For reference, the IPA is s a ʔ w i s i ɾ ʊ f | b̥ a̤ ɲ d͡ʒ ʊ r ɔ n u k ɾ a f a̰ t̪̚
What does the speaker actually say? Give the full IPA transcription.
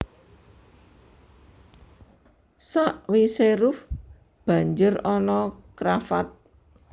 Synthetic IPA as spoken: s a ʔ w i s e ɾ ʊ f | b̥ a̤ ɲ d͡ʒ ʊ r ɔ n ɔ k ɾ a f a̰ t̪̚